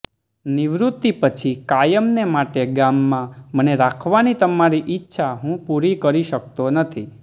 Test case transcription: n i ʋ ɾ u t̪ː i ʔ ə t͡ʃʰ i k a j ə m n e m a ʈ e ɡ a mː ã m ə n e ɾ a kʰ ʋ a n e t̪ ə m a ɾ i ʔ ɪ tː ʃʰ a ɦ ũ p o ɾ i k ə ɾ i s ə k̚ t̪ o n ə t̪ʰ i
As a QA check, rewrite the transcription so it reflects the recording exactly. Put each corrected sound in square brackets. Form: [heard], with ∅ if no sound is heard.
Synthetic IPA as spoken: n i ʋ ɾ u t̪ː i [p] ə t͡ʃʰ i k a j ə m n e m a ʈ e ɡ a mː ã m ə n e ɾ a kʰ ʋ a n [i] t̪ ə m a ɾ i ʔ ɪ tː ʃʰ a ɦ ũ p [u] ɾ i k ə ɾ i [ʃ] ə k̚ t̪ o n ə t̪ʰ i